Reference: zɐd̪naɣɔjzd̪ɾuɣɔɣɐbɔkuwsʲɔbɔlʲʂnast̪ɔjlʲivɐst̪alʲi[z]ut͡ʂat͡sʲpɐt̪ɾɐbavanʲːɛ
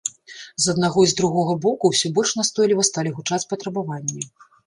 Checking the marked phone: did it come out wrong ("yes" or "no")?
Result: yes